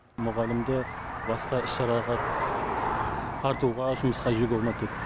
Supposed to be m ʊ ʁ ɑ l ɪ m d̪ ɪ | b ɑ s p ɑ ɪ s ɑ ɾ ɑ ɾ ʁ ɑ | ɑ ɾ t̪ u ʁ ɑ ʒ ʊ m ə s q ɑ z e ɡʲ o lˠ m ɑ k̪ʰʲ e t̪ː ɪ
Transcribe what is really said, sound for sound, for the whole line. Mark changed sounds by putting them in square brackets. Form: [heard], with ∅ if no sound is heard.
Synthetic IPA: m ʊ ʁ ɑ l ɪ m d̪ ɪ | b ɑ s [q] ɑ ɪ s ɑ ɾ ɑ [∅] ʁ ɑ | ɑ ɾ t̪ u ʁ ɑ ʒ ʊ m ə s q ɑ [ʒ] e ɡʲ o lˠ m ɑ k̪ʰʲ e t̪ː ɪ